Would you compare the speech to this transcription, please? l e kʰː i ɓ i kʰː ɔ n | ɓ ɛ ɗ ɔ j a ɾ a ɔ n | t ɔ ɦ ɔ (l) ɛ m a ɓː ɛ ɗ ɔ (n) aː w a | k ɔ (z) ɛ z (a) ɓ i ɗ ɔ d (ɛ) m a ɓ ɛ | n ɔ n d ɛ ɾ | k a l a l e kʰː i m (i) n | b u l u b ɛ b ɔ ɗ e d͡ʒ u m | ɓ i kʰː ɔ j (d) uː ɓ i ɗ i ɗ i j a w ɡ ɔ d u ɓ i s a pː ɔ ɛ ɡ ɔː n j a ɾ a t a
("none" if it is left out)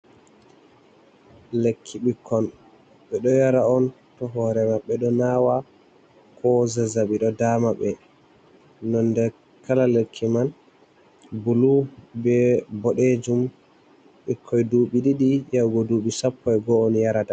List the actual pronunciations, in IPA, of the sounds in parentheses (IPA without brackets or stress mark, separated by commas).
ɾ, n, z, a, a, a, d